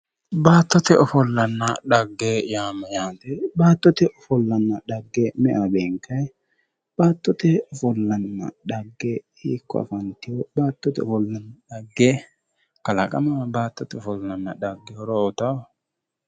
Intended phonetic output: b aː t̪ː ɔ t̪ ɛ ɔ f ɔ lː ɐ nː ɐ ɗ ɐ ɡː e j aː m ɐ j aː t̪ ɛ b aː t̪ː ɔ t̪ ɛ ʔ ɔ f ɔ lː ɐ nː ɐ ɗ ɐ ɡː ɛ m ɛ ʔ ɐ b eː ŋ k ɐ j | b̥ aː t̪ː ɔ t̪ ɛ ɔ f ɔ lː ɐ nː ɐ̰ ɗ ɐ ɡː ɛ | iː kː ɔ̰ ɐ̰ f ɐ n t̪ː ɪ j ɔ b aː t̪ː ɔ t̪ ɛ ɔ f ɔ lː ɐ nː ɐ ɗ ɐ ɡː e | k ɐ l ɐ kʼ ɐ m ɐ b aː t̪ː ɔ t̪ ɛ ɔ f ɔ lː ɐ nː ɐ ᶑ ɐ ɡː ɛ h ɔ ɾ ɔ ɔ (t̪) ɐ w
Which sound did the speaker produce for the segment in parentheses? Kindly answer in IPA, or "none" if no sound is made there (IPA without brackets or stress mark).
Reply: t̪